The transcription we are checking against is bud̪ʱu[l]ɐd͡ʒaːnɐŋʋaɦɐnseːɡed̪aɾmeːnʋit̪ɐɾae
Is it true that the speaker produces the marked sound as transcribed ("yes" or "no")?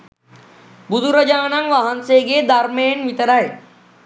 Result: no